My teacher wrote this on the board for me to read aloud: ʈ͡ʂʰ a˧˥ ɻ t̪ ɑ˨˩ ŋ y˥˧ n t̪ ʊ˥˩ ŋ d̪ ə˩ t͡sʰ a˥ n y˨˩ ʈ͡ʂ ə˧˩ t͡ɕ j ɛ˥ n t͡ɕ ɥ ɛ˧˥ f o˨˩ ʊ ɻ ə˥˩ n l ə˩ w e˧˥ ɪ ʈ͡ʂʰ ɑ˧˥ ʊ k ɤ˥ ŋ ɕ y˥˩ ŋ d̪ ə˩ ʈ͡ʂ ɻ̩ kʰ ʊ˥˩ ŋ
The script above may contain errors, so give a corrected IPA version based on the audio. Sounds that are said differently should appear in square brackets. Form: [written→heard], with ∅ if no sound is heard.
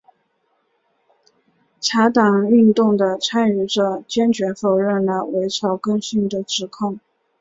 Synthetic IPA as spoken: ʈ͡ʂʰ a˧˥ [ɻ→∅] t̪ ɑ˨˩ ŋ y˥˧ n t̪ ʊ˥˩ ŋ d̪ ə˩ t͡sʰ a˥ n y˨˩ ʈ͡ʂ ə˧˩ t͡ɕ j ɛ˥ n t͡ɕ ɥ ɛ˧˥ f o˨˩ ʊ ɻ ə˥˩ n l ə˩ w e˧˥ ɪ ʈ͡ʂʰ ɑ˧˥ ʊ k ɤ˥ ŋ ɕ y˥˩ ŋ d̪ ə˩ ʈ͡ʂ ɻ̩ kʰ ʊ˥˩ ŋ